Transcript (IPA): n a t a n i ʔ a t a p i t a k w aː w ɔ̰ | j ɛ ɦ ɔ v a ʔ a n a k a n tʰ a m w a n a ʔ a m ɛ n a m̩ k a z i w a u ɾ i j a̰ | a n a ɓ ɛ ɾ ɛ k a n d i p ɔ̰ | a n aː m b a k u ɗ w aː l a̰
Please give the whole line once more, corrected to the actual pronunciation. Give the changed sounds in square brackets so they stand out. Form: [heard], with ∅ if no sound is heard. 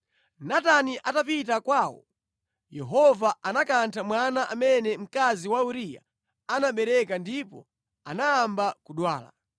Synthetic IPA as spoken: n a t a n i ʔ a t a p i t a k w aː w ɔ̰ | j ɛ ɦ ɔ v a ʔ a n a k a n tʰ a m w a n a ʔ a m ɛ n [ɛ] m̩ k a z i w a u ɾ i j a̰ | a n a ɓ ɛ ɾ ɛ k a n d i p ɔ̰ | a n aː m b a k u ɗ w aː l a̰